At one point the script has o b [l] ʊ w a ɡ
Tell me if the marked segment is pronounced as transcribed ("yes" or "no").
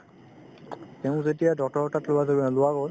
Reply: yes